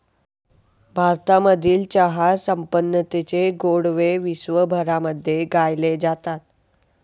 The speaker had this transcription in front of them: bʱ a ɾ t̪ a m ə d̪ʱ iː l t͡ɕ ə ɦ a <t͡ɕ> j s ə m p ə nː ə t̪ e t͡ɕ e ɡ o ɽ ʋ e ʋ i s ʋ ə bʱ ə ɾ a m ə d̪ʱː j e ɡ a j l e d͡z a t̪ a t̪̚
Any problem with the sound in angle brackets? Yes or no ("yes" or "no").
yes